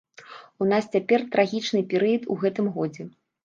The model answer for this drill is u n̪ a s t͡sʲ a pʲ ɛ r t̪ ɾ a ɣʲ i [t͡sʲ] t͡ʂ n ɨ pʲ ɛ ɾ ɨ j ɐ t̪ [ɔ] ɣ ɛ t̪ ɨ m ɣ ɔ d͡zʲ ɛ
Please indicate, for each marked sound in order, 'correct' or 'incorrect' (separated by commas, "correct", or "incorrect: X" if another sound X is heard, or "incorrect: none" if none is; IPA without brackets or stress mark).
incorrect: none, incorrect: u